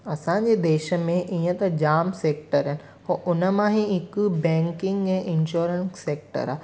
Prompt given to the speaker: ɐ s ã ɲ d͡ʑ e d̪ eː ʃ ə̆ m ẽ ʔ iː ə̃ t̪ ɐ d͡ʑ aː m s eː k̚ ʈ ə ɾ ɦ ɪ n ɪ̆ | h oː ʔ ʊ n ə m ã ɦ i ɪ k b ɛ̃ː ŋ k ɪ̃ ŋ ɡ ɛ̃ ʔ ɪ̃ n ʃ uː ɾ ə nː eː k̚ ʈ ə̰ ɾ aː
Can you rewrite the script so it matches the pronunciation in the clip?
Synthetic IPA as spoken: ɐ s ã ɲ d͡ʑ e d̪ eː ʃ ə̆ m ẽ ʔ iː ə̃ t̪ ɐ d͡ʑ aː m s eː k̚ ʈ ə ɾ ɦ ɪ n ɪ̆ | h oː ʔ ʊ n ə m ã ɦ i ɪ k b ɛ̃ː ŋ k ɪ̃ ŋ ɡ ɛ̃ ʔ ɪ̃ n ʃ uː ɾ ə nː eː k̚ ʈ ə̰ ɾ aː